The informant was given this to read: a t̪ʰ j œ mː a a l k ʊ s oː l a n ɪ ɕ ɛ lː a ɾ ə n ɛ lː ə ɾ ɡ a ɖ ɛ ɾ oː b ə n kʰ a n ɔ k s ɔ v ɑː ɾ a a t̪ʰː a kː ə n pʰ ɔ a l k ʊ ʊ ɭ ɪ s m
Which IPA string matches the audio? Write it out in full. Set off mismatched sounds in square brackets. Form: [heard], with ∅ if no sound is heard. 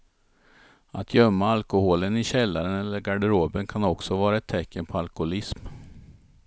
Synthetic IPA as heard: a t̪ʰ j œ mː a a l k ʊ [h] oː l [ə] n ɪ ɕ ɛ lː a ɾ ə n ɛ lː ə ɾ ɡ a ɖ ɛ ɾ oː b ə n kʰ a n ɔ k s ɔ v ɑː ɾ a [ɛ] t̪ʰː [ɛ] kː ə n pʰ ɔ a l k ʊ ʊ [l] ɪ s m